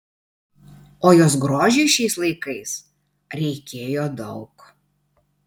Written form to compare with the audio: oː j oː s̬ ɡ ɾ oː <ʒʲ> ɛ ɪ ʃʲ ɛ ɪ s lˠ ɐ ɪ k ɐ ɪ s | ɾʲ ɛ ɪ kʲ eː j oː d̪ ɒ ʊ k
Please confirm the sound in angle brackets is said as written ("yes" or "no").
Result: yes